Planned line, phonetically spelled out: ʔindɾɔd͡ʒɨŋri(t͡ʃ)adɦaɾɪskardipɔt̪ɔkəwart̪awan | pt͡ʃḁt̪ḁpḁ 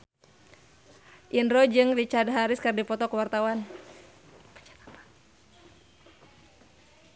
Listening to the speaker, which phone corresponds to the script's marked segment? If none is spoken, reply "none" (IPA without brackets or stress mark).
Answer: t͡ʃ